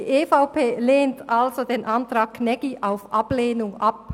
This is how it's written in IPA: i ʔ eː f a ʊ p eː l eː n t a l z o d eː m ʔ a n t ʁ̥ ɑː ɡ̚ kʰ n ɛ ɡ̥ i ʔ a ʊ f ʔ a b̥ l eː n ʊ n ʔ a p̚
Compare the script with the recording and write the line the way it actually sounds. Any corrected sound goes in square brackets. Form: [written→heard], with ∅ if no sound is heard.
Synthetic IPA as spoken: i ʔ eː f a ʊ p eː l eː n t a l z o d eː [m→n] ʔ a n t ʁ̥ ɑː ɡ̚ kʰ n ɛ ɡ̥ i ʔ a ʊ f ʔ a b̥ l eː n ʊ [n→ŋ] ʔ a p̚